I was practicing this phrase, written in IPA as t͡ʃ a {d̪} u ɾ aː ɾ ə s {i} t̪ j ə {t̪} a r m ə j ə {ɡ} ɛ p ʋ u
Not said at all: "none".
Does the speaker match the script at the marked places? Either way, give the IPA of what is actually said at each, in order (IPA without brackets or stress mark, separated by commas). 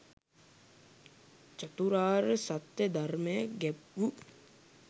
t̪, a, d̪, ɡ